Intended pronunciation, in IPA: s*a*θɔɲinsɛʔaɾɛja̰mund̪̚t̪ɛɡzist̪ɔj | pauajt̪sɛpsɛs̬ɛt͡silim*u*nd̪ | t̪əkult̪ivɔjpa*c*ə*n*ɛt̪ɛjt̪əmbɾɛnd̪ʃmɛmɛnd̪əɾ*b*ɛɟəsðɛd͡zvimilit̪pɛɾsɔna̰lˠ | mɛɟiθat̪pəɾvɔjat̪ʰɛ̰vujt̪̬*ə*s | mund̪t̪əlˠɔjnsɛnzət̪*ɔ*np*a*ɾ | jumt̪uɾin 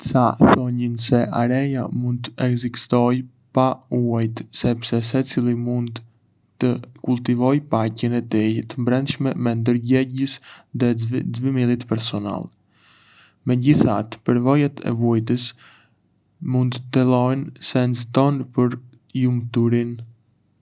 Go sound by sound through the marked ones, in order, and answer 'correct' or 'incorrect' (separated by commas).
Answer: correct, correct, correct, correct, incorrect, correct, correct, incorrect